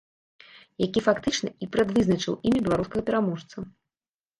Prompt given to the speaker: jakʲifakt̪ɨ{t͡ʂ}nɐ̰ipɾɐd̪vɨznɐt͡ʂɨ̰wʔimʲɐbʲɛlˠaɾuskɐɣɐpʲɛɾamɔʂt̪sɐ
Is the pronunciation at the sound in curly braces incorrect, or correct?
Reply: correct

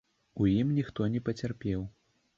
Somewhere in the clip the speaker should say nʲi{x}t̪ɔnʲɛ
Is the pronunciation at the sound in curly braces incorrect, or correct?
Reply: correct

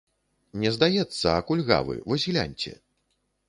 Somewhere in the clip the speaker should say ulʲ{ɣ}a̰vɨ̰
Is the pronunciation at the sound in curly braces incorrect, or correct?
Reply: correct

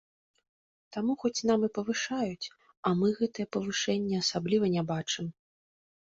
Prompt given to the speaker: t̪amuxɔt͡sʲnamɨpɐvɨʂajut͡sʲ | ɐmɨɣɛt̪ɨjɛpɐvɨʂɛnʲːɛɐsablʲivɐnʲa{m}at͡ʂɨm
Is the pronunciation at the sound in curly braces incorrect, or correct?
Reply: incorrect: b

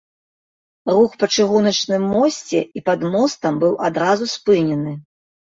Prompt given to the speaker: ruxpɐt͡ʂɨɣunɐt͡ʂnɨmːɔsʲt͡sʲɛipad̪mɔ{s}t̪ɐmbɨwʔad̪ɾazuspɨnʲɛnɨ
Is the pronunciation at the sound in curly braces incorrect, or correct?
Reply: correct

